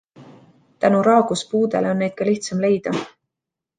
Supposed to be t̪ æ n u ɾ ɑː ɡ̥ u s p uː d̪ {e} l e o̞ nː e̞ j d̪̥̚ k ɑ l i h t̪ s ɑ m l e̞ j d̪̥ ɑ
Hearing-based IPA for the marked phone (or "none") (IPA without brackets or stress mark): e